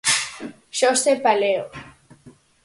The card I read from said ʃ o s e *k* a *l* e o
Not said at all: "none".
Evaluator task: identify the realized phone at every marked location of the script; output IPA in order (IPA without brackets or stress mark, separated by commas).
p, l